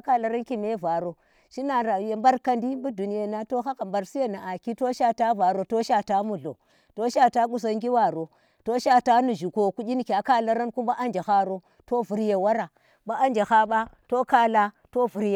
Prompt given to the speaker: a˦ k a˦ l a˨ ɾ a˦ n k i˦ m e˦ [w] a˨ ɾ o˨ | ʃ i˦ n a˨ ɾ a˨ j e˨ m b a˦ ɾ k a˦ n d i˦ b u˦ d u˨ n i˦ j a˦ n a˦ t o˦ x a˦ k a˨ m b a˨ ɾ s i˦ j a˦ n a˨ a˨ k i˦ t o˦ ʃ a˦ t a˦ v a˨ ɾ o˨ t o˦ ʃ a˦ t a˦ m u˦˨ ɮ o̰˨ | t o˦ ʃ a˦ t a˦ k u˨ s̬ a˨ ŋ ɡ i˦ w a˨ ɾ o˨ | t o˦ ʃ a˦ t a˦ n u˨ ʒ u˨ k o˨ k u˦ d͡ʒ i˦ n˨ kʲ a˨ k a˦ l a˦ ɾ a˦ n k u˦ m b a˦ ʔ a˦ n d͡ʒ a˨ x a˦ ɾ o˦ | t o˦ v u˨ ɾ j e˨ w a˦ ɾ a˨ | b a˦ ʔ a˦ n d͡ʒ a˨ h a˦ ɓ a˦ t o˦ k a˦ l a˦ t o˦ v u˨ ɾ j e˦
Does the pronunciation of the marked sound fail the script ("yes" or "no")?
yes